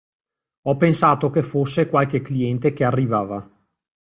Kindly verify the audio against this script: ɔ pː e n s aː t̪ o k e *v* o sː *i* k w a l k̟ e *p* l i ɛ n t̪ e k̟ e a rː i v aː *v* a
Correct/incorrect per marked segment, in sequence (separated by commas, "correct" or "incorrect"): incorrect, incorrect, incorrect, correct